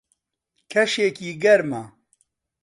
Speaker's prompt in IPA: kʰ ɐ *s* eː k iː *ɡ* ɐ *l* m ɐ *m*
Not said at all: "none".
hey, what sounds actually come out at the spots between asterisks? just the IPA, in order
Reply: ʃ, ɡ, ɾ, none

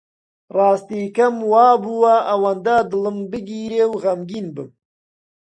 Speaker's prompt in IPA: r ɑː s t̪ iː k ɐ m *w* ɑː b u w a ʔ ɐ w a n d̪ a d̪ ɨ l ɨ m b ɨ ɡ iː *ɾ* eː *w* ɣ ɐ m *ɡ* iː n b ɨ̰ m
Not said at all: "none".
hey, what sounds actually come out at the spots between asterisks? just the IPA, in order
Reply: w, ɾ, w, ɡ

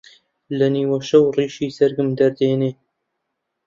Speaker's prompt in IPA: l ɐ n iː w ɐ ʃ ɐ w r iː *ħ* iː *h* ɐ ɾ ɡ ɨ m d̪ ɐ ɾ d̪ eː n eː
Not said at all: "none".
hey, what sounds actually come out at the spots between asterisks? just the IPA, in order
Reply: ʃ, s

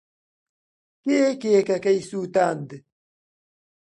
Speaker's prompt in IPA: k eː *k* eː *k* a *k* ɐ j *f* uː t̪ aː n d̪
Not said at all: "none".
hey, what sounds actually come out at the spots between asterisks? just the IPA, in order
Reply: k, k, k, s

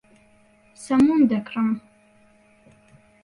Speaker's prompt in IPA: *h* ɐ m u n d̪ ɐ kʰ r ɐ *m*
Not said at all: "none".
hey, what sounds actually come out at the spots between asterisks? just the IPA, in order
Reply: s, m

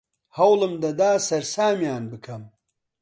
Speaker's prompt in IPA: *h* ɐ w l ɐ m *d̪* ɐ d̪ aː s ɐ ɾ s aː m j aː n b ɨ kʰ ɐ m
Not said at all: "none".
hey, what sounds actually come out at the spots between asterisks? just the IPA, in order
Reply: h, d̪

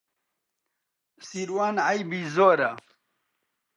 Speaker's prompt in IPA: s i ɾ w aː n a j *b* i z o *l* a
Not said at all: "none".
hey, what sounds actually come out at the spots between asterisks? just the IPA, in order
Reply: b, ɾ

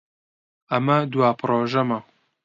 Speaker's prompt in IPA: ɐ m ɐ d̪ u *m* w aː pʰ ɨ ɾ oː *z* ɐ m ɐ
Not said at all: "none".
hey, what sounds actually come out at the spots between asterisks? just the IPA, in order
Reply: none, ʒ

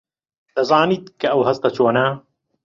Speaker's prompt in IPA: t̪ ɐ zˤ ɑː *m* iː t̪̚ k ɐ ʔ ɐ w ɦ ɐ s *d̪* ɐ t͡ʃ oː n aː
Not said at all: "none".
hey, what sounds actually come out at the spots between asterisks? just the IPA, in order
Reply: n, t̪

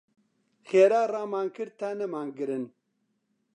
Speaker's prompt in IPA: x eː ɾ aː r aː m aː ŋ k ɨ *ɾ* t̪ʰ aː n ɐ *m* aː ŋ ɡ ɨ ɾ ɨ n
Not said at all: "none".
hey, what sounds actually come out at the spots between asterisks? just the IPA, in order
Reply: ɾ, m

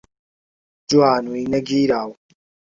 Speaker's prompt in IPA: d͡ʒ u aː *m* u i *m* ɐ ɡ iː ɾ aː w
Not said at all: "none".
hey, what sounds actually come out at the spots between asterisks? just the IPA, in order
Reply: n, n

